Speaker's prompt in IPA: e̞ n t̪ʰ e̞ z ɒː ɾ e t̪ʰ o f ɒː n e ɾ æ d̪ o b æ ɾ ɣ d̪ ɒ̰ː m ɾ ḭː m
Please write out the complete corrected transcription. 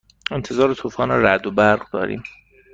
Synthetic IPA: e̞ n t̪ʰ e̞ z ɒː ɾ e t̪ʰ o f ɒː n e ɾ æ d̪ o b æ ɾ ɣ d̪ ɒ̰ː ɾ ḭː m